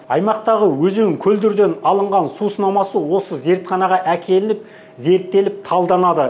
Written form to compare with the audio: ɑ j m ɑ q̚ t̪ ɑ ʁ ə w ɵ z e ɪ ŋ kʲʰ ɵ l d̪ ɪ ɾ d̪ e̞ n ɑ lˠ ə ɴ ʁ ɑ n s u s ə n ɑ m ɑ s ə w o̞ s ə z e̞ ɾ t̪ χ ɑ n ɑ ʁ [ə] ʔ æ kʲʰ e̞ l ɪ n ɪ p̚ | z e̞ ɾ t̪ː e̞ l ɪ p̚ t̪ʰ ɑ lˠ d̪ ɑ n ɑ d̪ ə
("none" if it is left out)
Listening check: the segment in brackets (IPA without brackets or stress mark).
ɑ